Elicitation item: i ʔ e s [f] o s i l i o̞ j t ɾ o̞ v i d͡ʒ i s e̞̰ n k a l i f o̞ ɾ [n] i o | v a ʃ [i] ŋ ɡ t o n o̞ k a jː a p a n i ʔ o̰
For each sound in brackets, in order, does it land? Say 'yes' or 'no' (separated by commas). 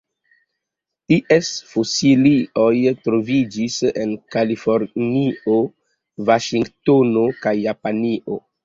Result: yes, yes, yes